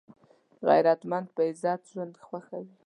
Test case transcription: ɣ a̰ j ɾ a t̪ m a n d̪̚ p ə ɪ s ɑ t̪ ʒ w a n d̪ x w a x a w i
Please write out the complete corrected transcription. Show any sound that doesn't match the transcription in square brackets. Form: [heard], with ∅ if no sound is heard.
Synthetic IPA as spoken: ɣ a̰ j ɾ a t̪ m a n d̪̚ p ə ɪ [z] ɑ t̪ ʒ w a n d̪ x w a x a w i